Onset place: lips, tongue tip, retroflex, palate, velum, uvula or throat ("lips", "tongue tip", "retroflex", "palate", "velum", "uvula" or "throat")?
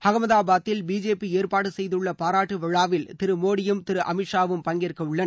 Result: throat